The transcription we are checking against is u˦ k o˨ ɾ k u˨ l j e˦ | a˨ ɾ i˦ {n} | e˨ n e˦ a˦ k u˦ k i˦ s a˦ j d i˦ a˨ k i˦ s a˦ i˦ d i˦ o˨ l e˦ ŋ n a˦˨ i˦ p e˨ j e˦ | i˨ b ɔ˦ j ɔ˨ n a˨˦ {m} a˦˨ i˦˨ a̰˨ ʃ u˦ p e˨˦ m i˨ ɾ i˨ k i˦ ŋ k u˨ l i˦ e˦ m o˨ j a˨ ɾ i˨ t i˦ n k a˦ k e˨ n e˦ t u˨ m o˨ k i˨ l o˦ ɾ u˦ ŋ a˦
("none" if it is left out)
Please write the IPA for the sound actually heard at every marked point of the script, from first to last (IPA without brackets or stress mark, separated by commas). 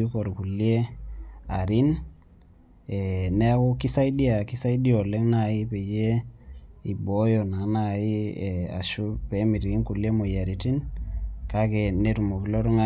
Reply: n, n